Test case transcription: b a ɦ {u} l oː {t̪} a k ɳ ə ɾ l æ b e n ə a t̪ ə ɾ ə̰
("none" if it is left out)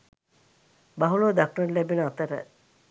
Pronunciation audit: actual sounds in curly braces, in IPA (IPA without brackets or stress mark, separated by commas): u, d̪